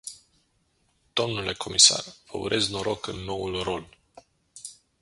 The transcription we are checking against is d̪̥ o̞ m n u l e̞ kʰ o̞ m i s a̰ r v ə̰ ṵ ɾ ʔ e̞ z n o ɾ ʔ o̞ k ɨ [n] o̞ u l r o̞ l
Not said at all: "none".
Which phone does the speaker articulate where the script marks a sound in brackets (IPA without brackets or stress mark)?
nː